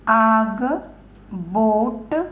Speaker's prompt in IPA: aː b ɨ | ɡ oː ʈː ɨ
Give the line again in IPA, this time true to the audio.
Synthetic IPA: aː ɡ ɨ | b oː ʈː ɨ